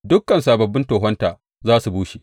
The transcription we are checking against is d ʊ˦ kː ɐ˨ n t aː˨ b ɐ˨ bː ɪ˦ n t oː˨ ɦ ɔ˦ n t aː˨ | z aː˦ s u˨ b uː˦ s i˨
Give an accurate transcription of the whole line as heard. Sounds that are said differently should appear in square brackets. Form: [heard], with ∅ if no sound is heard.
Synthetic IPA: d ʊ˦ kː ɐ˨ n [s] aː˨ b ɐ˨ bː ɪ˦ n t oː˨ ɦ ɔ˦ n t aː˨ | z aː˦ s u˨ b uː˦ [ʃ] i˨